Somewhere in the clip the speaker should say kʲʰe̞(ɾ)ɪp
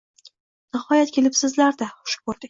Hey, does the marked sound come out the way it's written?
no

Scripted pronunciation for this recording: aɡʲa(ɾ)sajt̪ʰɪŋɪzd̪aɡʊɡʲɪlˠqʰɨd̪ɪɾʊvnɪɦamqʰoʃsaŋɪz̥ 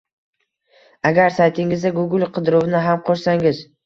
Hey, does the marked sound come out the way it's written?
yes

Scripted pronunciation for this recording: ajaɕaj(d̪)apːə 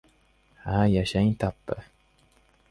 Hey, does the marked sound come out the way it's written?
no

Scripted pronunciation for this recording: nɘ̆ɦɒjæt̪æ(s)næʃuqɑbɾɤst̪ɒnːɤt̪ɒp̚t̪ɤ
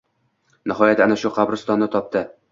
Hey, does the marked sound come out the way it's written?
no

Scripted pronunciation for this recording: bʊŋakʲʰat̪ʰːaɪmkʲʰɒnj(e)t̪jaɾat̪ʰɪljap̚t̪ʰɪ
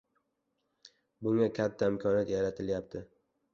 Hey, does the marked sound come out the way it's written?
no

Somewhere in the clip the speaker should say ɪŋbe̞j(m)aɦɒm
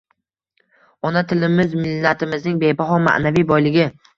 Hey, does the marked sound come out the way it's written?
no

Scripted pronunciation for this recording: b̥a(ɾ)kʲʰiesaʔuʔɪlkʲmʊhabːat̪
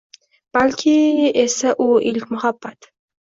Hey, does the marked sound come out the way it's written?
no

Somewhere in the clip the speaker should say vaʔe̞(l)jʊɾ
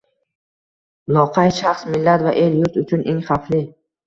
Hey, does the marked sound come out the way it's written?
yes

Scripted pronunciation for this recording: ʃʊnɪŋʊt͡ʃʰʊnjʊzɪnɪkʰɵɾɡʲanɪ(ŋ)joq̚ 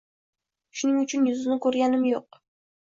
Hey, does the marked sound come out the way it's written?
no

